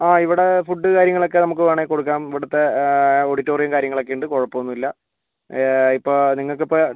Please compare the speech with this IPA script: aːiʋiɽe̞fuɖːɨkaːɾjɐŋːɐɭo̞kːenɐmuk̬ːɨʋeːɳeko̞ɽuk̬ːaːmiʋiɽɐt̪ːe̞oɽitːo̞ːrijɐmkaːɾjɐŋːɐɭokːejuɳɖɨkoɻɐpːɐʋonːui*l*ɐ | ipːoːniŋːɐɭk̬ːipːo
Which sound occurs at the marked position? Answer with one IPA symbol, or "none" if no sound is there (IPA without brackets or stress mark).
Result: lː